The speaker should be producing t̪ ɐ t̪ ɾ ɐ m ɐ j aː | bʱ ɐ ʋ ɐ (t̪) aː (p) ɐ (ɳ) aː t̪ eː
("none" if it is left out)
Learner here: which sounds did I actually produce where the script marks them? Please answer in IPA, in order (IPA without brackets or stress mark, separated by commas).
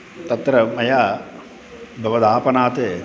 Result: d̪, p, n